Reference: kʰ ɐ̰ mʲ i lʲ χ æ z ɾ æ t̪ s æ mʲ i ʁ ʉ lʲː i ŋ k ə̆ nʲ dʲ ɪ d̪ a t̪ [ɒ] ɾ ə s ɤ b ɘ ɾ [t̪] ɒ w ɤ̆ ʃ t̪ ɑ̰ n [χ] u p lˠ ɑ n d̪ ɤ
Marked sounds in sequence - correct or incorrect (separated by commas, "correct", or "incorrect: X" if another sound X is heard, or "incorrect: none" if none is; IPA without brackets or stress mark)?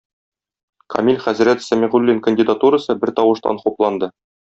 incorrect: u, correct, correct